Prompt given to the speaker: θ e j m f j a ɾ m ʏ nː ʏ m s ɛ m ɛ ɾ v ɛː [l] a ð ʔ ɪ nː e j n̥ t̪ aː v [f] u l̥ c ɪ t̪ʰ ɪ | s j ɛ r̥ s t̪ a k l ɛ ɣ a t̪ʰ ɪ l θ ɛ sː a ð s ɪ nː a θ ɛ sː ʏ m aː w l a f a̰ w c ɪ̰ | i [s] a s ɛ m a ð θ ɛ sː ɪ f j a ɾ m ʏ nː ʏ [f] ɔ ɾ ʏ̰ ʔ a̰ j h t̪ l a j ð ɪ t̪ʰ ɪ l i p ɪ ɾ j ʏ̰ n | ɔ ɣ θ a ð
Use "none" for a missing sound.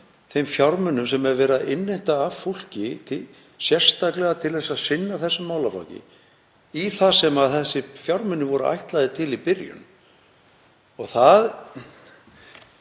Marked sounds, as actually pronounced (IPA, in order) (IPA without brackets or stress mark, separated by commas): ɾ, f, θ, v